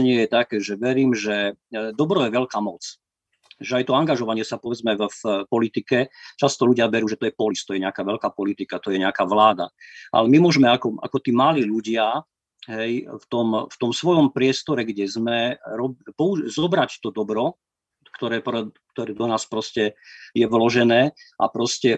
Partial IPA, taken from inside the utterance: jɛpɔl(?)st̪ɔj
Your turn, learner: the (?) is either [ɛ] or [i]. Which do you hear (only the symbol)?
i